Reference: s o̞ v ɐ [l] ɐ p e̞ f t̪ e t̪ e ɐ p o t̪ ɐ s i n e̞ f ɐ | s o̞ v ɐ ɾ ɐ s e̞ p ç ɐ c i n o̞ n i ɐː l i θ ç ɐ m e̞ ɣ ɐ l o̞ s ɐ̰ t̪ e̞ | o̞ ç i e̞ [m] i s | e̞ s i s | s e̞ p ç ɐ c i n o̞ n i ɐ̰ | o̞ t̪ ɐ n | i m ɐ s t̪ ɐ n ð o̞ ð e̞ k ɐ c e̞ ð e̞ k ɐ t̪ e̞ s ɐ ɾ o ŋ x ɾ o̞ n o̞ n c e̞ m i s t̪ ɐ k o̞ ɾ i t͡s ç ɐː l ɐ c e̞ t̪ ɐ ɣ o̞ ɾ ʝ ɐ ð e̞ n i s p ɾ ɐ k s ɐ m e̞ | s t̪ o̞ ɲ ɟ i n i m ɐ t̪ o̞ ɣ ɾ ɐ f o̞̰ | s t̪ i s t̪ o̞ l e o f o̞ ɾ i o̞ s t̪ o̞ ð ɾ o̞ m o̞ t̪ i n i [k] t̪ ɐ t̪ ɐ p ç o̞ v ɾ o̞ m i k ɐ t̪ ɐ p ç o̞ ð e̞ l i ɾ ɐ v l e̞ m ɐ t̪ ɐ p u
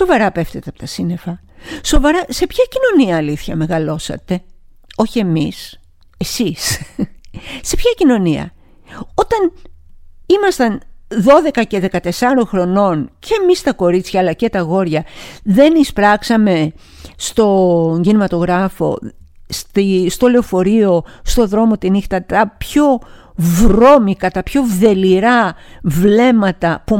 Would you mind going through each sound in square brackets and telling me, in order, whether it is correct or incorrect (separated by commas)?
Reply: incorrect, correct, incorrect